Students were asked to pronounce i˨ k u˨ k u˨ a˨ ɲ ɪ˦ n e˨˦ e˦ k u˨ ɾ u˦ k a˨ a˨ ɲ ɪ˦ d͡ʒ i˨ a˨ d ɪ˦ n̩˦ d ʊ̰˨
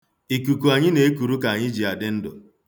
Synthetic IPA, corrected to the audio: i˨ k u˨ k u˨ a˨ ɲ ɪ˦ n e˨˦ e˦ k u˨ ɾ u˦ k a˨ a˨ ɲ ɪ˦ d͡ʒ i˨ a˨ d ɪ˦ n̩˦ d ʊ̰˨